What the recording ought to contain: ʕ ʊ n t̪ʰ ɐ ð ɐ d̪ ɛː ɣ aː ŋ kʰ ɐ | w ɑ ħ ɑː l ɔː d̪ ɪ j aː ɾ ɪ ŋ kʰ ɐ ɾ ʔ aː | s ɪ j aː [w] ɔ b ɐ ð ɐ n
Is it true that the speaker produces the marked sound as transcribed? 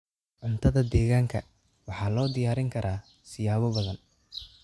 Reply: no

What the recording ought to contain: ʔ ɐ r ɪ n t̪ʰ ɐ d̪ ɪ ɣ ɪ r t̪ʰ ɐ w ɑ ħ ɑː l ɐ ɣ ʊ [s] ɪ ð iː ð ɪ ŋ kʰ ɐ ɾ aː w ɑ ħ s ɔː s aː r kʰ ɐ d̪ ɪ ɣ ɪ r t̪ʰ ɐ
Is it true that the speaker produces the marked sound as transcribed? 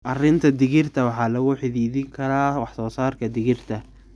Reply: no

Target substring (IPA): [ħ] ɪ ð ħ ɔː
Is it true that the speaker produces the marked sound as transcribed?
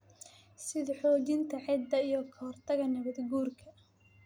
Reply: no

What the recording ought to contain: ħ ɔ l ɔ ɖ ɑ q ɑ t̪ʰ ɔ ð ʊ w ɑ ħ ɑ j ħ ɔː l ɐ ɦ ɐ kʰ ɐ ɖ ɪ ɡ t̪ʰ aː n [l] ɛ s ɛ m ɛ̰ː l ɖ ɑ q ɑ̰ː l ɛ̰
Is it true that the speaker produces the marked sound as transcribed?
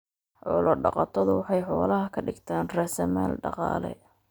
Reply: no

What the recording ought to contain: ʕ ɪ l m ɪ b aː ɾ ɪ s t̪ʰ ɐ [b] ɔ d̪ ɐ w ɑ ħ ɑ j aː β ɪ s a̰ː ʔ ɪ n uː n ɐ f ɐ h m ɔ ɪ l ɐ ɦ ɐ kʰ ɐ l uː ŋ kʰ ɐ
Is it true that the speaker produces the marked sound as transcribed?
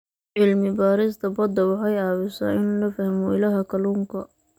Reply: yes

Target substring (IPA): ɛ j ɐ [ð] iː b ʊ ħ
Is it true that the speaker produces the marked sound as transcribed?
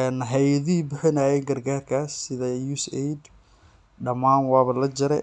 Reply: yes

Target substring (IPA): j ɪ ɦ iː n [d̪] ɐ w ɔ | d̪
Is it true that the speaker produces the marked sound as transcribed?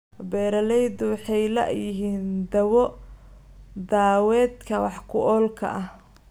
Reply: yes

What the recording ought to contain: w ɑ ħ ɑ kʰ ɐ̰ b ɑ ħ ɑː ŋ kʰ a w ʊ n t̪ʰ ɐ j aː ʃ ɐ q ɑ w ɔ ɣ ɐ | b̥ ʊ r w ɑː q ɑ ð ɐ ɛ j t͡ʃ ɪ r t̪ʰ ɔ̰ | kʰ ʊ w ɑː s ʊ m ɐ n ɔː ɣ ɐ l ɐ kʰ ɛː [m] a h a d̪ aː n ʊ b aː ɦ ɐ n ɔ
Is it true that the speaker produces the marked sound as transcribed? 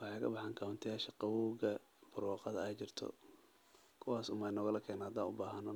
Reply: no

